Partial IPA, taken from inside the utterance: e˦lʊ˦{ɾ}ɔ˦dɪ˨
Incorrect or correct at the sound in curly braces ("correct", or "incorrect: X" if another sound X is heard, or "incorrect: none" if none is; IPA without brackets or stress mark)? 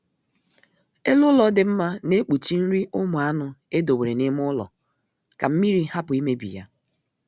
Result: incorrect: l